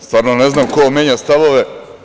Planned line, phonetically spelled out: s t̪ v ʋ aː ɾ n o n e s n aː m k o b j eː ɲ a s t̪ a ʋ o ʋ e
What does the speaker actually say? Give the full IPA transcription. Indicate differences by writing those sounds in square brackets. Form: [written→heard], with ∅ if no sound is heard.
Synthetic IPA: s t̪ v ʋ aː ɾ n o n e [s→z] n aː m k o [b→m] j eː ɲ a s t̪ a ʋ o ʋ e